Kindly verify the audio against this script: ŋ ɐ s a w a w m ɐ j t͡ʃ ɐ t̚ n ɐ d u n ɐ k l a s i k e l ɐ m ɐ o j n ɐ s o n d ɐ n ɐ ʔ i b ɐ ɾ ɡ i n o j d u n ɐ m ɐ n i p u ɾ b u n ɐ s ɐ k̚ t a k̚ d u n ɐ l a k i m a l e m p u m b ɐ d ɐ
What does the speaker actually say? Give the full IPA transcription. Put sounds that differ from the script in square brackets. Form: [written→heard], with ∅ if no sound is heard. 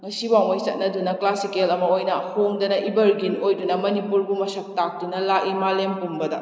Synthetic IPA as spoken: ŋ ɐ s [a→i] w a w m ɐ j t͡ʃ ɐ t̚ n ɐ d u n ɐ k l a s i k e l ɐ m ɐ o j n ɐ [s→h] o [n→ŋ] d ɐ n ɐ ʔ i b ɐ ɾ ɡ i n o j d u n ɐ m ɐ n i p u ɾ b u [n→m] ɐ s ɐ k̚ t a k̚ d u n ɐ l a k i m a l e m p u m b ɐ d ɐ